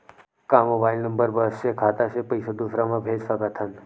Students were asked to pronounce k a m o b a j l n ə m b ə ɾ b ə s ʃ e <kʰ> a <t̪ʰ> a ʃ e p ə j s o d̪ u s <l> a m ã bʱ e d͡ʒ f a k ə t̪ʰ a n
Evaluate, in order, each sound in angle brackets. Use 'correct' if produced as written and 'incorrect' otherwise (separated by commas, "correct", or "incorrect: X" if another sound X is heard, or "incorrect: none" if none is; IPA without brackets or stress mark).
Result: correct, incorrect: t̪, incorrect: ɾ